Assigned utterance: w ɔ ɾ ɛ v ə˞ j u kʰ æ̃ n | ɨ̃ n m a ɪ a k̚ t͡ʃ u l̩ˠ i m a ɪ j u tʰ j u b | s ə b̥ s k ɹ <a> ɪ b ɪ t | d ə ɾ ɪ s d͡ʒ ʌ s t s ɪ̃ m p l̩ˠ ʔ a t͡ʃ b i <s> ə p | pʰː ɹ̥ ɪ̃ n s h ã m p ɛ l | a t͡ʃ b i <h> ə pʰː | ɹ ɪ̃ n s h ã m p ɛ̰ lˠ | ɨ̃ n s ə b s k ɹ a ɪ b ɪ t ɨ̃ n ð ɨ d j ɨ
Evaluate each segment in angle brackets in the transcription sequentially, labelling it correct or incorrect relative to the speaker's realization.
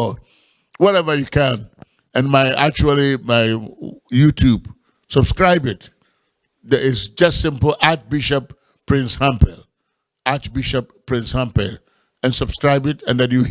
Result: correct, incorrect: ʃ, incorrect: ʃ

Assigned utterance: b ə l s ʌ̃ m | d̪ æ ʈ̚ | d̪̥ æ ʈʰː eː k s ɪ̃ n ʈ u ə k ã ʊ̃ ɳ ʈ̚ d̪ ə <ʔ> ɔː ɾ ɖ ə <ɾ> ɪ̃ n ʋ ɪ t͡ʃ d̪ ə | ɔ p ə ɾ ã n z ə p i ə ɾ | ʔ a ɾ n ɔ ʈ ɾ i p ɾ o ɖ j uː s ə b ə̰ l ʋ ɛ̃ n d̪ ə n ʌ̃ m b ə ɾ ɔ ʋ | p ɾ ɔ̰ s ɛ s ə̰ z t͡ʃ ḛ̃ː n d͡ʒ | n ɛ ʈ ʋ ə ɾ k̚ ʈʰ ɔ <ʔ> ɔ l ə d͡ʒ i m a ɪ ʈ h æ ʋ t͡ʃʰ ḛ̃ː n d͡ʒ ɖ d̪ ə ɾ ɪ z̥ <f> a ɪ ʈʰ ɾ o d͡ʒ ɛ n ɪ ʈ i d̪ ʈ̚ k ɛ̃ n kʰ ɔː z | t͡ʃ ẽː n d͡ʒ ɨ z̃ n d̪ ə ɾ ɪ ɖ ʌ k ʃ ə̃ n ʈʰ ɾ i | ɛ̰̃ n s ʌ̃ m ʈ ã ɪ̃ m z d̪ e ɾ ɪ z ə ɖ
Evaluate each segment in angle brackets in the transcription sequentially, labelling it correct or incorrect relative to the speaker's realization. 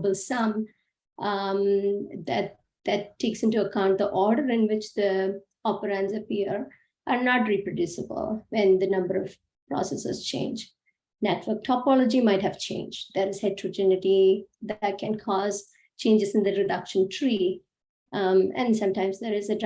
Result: correct, correct, incorrect: p, incorrect: h

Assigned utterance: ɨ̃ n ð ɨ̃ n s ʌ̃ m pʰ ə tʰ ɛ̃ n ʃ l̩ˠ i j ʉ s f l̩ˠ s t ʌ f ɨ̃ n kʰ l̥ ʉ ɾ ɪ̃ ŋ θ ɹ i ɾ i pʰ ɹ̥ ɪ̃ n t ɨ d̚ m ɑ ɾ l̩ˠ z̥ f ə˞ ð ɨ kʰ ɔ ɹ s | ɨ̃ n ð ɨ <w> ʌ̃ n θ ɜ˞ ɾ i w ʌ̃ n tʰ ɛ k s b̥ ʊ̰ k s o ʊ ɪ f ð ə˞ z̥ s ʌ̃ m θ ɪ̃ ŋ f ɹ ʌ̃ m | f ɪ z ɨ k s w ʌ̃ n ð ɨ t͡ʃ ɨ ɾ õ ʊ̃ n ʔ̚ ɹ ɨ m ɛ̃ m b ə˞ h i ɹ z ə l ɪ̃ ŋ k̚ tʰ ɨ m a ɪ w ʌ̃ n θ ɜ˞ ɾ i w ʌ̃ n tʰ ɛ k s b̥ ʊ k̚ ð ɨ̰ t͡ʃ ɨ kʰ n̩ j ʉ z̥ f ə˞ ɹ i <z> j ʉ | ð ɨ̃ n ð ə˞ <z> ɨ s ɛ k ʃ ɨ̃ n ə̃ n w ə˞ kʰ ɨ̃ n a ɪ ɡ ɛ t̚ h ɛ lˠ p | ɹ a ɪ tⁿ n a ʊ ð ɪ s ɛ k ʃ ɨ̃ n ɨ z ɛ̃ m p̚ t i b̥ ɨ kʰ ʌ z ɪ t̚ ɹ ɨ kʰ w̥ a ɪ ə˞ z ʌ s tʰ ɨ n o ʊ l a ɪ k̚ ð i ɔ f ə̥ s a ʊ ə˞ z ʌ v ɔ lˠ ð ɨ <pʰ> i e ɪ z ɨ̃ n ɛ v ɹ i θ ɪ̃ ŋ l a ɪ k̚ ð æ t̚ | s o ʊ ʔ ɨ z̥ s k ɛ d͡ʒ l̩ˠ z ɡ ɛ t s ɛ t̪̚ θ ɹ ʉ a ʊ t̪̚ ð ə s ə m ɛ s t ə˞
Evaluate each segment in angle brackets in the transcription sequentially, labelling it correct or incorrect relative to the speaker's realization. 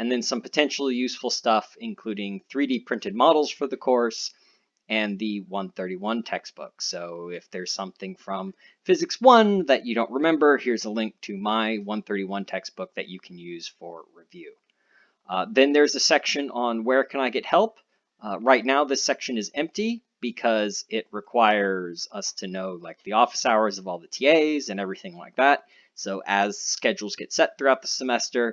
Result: correct, incorrect: v, correct, incorrect: tʰ

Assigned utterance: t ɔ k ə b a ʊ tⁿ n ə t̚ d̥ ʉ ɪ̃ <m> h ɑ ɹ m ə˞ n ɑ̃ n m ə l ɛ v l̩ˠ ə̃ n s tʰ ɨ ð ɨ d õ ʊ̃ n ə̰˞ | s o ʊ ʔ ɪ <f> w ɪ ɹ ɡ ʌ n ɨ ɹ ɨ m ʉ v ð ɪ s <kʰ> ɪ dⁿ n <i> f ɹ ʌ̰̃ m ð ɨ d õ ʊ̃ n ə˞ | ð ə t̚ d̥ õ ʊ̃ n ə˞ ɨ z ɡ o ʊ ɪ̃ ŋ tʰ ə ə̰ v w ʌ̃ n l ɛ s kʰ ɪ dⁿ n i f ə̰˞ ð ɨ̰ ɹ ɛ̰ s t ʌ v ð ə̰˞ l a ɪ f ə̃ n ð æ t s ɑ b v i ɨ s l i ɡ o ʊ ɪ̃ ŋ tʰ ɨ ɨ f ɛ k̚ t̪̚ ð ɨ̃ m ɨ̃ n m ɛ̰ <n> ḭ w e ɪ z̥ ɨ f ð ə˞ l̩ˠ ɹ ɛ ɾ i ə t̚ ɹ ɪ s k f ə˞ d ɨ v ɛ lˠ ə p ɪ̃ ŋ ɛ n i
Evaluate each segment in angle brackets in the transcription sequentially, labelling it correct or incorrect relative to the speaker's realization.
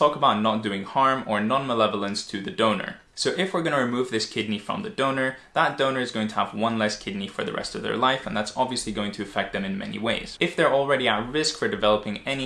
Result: incorrect: ŋ, correct, correct, correct, correct

